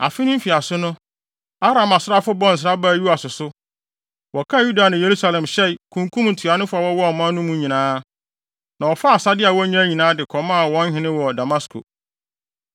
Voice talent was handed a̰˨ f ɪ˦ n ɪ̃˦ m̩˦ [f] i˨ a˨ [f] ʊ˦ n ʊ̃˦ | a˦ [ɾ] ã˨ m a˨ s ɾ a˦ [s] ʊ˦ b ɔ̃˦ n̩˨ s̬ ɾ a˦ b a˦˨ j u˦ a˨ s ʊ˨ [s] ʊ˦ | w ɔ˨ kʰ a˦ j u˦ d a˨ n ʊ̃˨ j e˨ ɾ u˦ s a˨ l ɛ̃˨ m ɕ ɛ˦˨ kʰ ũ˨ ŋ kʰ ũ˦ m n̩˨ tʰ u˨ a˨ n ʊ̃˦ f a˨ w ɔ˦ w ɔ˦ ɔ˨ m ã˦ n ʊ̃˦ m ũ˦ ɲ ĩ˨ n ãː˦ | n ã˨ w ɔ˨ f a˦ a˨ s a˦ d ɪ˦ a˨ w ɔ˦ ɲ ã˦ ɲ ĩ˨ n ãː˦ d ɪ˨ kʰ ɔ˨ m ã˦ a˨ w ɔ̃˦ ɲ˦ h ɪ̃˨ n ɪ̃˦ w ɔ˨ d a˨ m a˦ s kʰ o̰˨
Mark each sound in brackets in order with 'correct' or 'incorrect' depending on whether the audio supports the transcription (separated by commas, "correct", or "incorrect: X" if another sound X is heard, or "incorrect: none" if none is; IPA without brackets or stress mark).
correct, incorrect: s, correct, incorrect: f, correct